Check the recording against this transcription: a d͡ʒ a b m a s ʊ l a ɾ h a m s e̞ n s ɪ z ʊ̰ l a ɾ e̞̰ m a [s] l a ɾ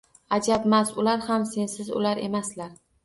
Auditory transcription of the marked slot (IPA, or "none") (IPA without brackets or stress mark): s